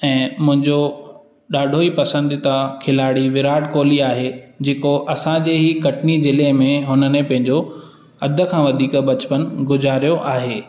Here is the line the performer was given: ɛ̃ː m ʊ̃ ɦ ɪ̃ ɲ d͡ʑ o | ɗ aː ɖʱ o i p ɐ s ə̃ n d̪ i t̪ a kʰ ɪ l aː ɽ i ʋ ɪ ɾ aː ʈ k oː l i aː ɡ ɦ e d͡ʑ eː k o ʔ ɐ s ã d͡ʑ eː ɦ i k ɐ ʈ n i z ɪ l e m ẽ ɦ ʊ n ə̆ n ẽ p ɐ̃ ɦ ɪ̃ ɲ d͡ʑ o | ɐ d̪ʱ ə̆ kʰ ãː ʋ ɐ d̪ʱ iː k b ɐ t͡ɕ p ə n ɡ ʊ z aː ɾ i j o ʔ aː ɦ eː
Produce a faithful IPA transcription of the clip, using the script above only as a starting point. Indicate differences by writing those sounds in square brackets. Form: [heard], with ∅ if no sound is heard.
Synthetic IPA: ɛ̃ː m ʊ̃ ɦ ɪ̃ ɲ d͡ʑ o | ɗ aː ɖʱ o i p ɐ s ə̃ n d̪ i t̪ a kʰ ɪ l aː ɽ i ʋ ɪ ɾ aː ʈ k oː l i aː [∅] ɦ e d͡ʑ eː k o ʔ ɐ s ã d͡ʑ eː ɦ i k ɐ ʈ n i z ɪ l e m ẽ ɦ ʊ n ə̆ n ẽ p ɐ̃ ɦ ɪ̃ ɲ d͡ʑ o | ɐ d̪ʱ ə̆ kʰ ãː ʋ ɐ d̪ʱ iː k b ɐ t͡ɕ p ə n ɡ ʊ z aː ɾ i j o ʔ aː ɦ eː